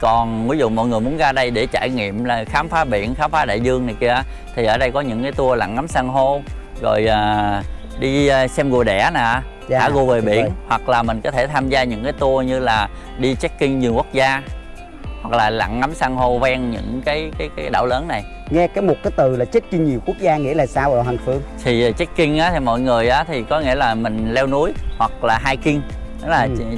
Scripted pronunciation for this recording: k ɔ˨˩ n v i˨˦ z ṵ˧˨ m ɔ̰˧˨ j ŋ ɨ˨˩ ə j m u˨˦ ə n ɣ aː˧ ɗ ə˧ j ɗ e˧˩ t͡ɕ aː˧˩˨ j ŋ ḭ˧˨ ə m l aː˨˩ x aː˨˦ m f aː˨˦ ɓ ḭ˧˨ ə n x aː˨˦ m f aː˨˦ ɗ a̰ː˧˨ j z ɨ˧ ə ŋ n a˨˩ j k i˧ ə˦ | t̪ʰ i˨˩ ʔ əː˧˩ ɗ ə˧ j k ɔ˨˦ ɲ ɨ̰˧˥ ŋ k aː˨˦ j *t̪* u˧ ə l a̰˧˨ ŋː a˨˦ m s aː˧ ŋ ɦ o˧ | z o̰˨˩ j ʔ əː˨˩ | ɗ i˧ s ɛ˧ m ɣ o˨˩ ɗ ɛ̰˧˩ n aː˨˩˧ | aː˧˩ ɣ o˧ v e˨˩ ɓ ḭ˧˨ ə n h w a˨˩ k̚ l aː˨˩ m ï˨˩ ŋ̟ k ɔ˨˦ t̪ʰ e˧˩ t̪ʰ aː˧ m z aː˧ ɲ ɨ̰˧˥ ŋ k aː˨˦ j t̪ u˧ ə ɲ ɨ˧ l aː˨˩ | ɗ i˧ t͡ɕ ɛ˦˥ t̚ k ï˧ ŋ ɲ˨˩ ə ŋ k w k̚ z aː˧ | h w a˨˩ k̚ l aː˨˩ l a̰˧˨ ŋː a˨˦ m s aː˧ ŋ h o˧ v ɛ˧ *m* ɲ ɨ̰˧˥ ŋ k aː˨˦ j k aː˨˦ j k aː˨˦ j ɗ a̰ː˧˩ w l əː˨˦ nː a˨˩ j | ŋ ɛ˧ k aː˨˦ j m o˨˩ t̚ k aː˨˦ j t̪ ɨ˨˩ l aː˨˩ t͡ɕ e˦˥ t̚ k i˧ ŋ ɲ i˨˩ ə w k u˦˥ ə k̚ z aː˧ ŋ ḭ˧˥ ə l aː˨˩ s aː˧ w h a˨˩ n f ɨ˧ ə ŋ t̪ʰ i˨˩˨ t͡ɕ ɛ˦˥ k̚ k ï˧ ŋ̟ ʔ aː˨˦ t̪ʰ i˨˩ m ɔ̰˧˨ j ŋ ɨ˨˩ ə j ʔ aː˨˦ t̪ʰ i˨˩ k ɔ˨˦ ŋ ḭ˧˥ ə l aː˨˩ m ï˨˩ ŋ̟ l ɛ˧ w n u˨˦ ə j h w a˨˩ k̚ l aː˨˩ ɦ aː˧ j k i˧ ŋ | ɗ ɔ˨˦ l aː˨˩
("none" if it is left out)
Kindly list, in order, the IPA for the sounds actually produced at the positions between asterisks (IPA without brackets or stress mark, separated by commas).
t̪, ŋ